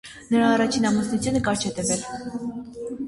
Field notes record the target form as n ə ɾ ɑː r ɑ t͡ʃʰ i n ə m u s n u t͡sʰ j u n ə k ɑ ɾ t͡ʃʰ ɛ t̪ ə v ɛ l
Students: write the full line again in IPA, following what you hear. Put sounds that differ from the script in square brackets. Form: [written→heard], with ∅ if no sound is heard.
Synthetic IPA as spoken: n ə ɾ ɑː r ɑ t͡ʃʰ i n [ə→ɑ] m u s n u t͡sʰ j u n ə k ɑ ɾ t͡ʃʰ ɛ t̪ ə v ɛ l